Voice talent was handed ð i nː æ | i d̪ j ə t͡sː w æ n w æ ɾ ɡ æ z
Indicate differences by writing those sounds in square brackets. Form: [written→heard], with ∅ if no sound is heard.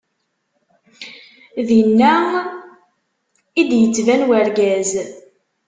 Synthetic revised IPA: ð i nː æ | i d̪ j ə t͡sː [w→v] æ n w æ ɾ ɡ æ z